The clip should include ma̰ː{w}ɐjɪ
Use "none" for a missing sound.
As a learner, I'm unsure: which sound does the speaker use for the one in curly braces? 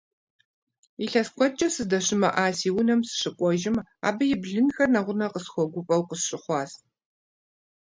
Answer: b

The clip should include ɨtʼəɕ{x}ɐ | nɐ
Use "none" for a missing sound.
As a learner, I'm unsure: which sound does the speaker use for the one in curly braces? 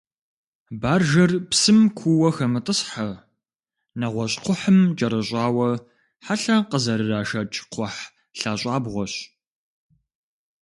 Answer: ħ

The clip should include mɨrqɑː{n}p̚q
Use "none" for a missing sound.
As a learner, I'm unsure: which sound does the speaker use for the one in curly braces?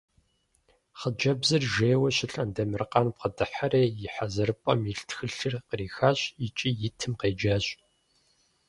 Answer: n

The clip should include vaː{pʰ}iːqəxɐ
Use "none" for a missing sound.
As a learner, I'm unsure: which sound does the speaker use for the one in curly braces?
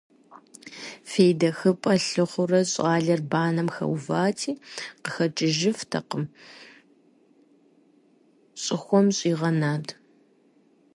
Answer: tʰ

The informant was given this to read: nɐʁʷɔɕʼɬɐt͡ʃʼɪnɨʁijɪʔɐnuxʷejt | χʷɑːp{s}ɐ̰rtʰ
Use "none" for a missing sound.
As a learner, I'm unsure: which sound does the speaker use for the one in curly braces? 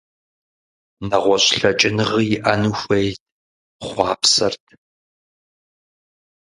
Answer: s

